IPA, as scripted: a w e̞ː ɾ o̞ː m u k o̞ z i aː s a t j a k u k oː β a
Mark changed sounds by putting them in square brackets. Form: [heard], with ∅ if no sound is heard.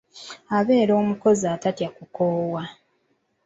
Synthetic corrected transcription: a [β] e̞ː ɾ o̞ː m u k o̞ z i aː [t] a t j a k u k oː [w] a